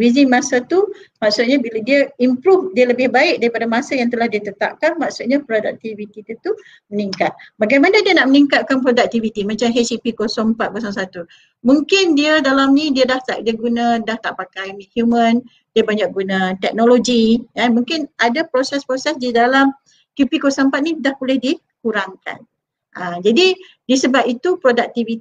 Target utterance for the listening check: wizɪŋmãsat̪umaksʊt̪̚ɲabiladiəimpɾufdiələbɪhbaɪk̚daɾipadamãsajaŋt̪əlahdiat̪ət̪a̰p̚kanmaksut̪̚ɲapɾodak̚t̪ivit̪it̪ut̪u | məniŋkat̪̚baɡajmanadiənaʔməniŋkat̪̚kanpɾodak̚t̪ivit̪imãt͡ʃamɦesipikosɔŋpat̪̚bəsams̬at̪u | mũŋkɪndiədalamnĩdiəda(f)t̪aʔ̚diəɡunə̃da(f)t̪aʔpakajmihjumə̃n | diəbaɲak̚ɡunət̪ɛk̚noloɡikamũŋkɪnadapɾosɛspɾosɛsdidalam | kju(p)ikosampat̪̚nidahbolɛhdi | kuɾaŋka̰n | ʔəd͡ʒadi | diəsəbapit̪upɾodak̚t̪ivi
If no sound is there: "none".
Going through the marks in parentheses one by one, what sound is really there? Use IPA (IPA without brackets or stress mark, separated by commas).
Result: h, h, p